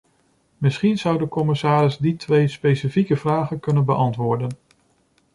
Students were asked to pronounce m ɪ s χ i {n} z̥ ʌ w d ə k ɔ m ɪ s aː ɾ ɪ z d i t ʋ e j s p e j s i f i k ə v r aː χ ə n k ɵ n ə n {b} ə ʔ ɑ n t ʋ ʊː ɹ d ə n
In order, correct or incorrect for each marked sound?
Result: correct, correct

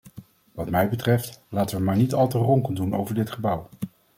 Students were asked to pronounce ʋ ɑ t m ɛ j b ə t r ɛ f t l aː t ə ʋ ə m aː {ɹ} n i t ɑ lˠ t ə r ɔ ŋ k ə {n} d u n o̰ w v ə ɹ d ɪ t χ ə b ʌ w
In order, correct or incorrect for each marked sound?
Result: correct, correct

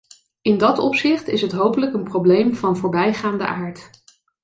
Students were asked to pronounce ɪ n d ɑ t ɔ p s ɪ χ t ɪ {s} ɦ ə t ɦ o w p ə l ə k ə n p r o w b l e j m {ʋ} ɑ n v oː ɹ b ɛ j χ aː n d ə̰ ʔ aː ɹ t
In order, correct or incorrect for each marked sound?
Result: correct, incorrect: v

